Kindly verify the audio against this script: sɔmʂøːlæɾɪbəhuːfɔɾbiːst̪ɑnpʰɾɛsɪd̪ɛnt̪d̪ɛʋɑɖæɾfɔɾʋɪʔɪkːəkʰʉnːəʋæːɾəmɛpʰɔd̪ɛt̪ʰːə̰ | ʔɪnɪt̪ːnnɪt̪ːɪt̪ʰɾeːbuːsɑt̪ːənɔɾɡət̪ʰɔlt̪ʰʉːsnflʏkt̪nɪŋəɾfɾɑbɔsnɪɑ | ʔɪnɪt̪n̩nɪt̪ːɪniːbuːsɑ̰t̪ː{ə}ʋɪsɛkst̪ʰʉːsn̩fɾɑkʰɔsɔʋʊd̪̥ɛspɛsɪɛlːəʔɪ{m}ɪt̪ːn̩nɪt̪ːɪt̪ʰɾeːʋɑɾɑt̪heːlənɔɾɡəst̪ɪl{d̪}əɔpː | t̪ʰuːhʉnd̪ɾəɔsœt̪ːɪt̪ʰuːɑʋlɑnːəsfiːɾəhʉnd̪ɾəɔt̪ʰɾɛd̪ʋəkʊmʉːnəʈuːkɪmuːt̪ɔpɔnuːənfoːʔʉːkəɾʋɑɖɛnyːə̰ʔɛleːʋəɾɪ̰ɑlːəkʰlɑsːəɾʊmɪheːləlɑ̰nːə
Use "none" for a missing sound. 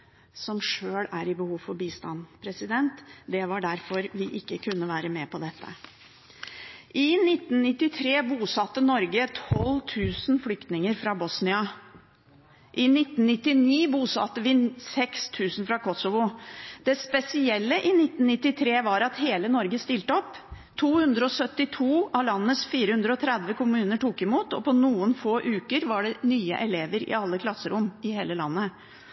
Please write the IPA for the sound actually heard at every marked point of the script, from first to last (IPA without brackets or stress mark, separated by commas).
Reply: ə, n, t̪